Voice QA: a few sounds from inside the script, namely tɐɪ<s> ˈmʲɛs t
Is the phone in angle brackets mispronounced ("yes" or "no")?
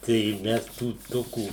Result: yes